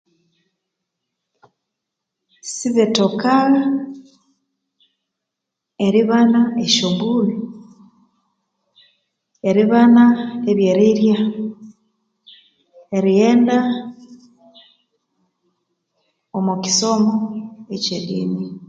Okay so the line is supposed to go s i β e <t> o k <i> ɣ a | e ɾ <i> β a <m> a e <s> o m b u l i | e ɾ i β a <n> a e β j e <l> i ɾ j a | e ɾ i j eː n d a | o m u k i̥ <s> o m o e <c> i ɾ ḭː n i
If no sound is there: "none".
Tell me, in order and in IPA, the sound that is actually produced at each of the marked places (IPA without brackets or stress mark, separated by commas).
t, a, i, n, ʃ, n, ɾ, s, c